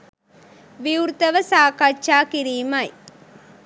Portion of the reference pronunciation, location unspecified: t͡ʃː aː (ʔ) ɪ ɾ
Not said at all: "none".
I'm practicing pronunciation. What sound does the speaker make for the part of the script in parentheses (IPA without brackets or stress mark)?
k